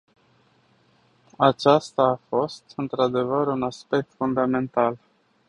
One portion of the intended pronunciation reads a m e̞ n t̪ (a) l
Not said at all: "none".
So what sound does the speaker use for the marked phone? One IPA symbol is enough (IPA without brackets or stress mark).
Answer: a